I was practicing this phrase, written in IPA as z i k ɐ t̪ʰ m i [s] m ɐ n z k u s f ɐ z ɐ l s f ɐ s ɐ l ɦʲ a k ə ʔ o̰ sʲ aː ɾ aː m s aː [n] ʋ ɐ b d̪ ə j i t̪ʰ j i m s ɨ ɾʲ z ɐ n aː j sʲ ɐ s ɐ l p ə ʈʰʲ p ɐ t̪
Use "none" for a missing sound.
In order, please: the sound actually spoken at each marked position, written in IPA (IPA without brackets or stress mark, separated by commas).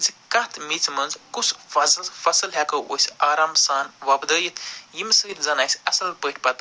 t͡s, n